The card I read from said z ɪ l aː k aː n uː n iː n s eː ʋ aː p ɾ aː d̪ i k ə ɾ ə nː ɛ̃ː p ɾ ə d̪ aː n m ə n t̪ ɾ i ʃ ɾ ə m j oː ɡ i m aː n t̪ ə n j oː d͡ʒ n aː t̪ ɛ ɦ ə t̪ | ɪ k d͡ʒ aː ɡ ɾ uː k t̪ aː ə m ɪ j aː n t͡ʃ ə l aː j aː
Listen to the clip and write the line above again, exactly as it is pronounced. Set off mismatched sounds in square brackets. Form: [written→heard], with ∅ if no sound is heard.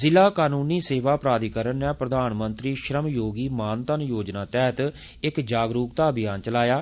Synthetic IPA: z ɪ l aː k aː n uː n iː [n→∅] s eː ʋ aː p ɾ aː d̪ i k ə ɾ ə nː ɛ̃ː p ɾ ə d̪ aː n m ə n t̪ ɾ [i→iː] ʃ ɾ ə m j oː ɡ [i→iː] m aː n t̪ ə n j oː d͡ʒ n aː t̪ ɛ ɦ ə t̪ | ɪ k d͡ʒ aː ɡ ɾ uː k t̪ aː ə [m→b] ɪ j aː n t͡ʃ ə l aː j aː